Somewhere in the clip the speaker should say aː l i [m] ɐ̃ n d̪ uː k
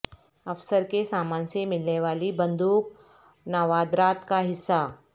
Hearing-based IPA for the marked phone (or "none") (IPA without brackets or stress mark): b